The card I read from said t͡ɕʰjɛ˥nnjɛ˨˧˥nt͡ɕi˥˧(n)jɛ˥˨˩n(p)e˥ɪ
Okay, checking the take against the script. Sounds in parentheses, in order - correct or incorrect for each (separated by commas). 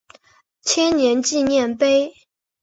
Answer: correct, correct